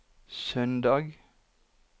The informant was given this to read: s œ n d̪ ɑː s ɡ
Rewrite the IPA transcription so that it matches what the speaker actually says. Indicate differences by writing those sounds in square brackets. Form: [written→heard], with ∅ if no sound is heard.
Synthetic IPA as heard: s œ n d̪ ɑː [s→∅] ɡ